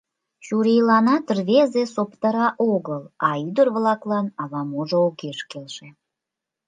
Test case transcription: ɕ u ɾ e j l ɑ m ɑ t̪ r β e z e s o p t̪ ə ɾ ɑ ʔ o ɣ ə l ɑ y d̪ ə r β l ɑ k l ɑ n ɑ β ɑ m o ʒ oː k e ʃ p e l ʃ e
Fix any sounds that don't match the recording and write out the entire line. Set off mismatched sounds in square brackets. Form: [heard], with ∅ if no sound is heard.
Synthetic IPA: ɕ u ɾ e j l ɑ [n] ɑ t̪ r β e z e s o p t̪ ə ɾ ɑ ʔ o ɣ ə l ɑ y d̪ ə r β l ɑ k l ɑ n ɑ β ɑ m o ʒ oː k e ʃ [k] e l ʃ e